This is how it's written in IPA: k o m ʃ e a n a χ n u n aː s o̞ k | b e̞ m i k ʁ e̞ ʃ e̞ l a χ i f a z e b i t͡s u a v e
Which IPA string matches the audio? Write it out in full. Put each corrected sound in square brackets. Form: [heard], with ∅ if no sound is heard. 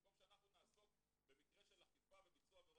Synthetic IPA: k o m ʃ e a n a χ n u n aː s o̞ k | b e̞ m i k ʁ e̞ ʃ e̞ l a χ i f a [v] e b i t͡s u a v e